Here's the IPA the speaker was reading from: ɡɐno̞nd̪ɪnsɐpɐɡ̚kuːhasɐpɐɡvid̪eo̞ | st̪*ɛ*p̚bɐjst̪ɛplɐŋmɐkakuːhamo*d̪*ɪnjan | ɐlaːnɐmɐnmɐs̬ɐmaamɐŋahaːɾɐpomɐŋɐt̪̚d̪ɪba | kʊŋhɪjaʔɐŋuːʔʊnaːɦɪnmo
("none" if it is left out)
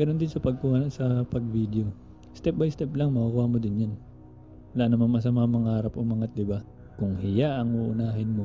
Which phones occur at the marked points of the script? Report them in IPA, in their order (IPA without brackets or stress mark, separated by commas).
ɛ, d̪